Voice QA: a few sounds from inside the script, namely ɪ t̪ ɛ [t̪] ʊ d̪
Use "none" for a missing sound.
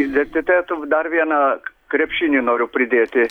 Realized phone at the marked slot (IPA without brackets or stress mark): t̪